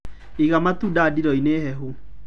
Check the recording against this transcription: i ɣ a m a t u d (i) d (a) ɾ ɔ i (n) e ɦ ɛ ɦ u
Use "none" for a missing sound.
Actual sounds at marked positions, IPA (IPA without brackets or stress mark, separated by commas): a, i, n